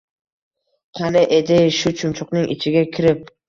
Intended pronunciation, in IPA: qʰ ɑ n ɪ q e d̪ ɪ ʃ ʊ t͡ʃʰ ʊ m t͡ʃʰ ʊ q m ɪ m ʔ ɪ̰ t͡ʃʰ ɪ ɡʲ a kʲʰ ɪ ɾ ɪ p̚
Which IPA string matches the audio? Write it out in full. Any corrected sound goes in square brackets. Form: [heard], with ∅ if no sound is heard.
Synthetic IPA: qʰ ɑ n ɪ [ʔ] e d̪ ɪ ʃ ʊ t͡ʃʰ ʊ m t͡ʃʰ ʊ q [n] ɪ [ŋ] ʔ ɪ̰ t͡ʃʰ ɪ ɡʲ a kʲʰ ɪ ɾ ɪ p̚